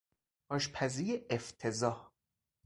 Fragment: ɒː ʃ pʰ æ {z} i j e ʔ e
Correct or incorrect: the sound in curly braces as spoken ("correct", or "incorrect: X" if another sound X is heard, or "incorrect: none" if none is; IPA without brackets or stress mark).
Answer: correct